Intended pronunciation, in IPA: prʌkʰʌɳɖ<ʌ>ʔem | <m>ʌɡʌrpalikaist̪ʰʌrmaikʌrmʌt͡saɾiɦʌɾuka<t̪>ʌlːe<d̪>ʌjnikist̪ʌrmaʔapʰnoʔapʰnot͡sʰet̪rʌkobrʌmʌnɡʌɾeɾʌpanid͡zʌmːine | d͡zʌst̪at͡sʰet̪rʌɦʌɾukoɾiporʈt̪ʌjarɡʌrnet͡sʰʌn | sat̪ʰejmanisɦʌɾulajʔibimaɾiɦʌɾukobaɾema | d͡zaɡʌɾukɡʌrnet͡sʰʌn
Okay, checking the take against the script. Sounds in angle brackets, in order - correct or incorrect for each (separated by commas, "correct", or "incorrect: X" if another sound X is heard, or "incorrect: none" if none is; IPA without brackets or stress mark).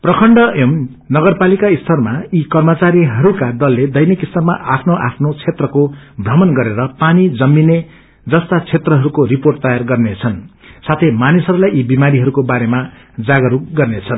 correct, incorrect: n, incorrect: d̪, correct